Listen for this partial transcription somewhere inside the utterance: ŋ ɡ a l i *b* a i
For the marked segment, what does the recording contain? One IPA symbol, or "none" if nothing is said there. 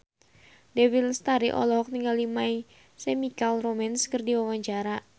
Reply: m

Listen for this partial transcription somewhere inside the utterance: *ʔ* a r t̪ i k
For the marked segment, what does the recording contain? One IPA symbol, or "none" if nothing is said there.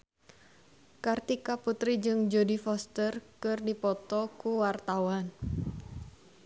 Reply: k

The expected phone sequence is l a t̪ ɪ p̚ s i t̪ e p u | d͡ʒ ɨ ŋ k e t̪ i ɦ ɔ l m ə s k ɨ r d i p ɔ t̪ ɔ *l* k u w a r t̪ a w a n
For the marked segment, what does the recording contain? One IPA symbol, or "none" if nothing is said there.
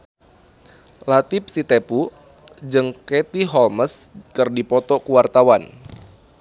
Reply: none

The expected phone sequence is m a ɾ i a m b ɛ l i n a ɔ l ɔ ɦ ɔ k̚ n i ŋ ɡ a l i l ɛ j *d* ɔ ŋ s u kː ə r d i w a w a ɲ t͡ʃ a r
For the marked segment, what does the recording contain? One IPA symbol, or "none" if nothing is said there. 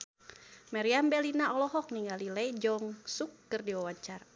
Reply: d͡ʒ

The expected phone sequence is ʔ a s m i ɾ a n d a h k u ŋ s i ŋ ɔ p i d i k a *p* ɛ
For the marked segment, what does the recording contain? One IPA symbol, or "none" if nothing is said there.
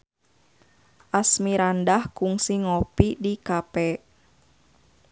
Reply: p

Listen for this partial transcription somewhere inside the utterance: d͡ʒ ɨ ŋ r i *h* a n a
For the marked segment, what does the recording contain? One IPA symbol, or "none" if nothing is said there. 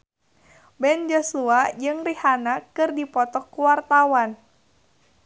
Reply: h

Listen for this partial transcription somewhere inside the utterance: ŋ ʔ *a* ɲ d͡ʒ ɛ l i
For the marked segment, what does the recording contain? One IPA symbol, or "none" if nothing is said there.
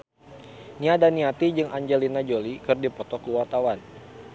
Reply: a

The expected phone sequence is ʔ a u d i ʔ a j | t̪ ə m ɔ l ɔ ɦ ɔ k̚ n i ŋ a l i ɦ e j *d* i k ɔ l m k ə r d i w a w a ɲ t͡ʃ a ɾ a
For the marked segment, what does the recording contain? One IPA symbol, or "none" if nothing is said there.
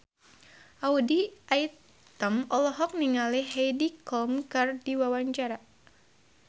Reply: d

